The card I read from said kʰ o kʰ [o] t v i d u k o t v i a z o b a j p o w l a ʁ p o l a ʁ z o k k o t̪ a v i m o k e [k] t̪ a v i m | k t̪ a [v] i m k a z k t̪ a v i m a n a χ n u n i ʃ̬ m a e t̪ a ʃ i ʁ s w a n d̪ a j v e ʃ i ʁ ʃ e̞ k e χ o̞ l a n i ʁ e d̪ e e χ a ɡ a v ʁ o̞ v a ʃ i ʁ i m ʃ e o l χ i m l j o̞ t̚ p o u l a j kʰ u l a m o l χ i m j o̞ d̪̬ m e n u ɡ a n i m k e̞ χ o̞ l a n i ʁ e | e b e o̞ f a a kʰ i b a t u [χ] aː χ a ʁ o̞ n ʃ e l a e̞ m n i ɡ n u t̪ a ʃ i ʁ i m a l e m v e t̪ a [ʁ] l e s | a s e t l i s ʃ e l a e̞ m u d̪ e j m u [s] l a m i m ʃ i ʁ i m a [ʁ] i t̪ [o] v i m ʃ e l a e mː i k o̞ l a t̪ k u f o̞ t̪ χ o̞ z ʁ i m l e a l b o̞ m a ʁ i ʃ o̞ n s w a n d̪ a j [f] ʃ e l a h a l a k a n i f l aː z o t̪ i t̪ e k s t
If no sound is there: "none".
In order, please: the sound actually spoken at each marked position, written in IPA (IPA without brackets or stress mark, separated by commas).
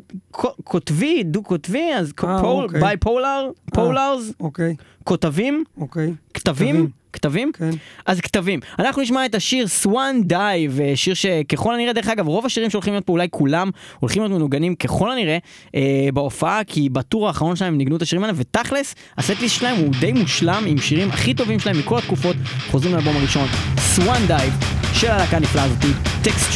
o, k, v, ʁ, χ, ʃ, χ, o, v